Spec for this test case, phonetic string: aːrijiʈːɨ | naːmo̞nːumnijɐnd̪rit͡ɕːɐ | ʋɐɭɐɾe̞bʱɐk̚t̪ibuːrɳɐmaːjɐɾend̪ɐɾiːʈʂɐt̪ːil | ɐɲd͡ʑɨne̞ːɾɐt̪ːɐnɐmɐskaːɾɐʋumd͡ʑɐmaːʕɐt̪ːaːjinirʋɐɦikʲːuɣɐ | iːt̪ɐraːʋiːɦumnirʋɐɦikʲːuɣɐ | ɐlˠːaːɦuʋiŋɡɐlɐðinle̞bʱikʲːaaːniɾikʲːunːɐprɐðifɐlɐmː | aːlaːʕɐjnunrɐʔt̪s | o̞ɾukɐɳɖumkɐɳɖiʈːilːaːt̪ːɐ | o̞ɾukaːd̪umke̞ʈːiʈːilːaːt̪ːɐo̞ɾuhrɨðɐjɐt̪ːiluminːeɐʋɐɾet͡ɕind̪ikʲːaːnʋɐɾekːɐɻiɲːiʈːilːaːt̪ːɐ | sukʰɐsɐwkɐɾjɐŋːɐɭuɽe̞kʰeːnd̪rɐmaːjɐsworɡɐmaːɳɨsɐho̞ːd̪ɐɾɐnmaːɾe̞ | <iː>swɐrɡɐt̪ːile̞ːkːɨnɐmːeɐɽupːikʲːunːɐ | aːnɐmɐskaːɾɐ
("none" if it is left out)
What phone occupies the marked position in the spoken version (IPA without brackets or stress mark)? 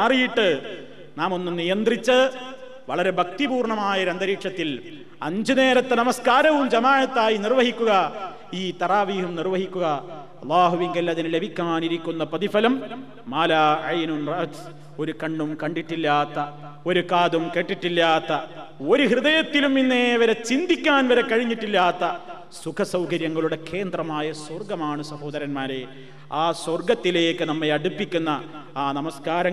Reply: aː